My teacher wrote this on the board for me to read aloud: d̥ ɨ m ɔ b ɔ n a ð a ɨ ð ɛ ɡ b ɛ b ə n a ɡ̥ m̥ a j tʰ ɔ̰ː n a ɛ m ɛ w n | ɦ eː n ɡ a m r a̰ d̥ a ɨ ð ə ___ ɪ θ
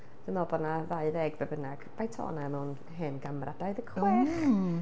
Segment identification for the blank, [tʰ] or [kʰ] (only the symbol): kʰ